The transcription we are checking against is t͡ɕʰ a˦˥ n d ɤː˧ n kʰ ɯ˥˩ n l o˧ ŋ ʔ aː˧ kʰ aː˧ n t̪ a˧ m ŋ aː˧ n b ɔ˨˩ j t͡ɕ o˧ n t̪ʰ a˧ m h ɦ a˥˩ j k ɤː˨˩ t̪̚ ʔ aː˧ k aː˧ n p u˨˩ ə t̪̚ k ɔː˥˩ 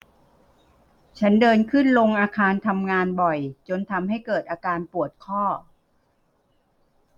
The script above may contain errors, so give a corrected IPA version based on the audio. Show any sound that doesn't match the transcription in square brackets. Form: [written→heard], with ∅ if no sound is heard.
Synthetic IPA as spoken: t͡ɕʰ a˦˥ n d ɤː˧ n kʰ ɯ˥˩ n l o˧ ŋ ʔ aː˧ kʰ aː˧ n [t̪→t̪ʰ] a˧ m ŋ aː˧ n b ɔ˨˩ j t͡ɕ o˧ n t̪ʰ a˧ m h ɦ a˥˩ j k ɤː˨˩ t̪̚ ʔ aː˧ k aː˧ n p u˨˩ ə t̪̚ [k→kʰ] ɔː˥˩